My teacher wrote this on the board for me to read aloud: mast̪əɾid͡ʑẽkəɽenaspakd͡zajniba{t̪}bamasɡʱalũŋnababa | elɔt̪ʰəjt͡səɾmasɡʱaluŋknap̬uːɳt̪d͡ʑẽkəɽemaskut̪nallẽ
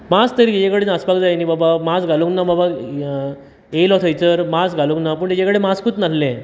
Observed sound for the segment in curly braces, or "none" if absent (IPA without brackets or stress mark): none